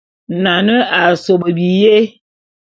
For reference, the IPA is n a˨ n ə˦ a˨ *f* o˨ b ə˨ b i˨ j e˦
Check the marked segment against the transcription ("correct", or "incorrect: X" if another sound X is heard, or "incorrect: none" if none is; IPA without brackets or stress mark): incorrect: s